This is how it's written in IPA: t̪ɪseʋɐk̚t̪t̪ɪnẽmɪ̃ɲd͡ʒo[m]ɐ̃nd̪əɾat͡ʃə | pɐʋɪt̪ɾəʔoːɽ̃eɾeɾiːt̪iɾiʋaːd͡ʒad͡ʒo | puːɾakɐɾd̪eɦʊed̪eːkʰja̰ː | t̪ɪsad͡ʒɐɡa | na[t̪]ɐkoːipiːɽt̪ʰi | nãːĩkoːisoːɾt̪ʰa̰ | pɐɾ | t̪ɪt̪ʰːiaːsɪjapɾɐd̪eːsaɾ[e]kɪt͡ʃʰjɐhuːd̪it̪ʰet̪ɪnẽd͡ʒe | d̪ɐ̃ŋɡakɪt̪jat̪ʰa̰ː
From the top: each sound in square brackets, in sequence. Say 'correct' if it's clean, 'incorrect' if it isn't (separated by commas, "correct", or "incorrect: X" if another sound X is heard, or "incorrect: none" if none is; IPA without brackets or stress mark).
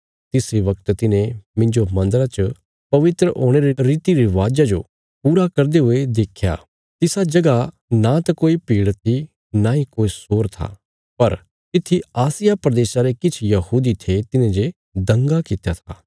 correct, correct, correct